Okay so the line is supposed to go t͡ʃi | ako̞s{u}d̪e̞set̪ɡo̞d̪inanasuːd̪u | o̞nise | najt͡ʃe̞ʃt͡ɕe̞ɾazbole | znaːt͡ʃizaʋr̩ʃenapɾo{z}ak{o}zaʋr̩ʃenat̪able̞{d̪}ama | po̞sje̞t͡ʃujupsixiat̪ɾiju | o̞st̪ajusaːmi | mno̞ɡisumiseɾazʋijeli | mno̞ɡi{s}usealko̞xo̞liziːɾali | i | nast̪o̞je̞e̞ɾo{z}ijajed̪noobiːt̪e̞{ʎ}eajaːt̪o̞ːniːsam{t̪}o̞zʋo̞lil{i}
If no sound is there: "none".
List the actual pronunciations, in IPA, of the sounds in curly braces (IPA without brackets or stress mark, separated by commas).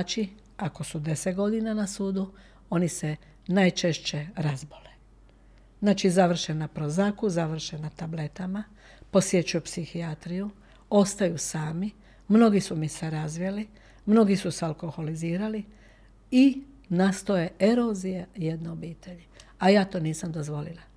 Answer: u, z, u, t̪, s, z, ʎ, d̪, a